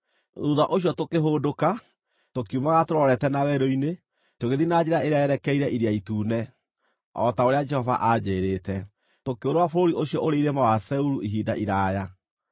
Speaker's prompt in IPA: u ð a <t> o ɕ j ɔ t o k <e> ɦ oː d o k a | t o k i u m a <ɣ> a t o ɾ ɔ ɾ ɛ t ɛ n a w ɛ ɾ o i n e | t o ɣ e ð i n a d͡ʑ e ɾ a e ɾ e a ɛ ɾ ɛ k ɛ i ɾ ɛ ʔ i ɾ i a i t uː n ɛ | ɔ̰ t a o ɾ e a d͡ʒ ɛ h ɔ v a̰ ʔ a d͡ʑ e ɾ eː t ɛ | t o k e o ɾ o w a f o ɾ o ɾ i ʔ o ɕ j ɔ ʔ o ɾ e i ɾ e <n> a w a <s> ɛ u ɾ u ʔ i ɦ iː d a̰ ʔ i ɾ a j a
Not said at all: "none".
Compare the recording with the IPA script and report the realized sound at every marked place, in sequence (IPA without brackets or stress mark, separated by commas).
ʔ, e, ɣ, m, s